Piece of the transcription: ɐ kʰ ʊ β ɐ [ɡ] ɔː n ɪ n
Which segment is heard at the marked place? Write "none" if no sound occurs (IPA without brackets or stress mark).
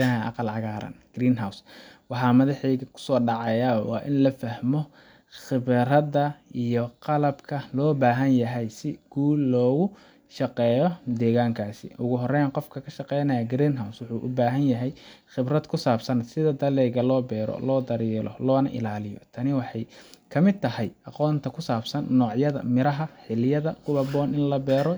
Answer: b